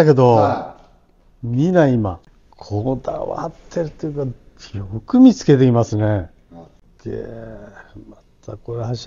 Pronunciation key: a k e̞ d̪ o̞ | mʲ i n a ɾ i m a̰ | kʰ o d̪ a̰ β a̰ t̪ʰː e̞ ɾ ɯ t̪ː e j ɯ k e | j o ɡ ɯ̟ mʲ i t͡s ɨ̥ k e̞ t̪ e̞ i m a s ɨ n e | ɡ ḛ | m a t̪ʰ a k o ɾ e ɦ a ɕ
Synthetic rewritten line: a k e̞ d̪ o̞ | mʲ i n a i m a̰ | kʰ o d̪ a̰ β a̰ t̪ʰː e̞ ɾ ɯ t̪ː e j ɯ k a | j o k ɯ̟ mʲ i t͡s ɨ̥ k e̞ t̪ e̞ i m a s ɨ n e | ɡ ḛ | m a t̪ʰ a k o ɾ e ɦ a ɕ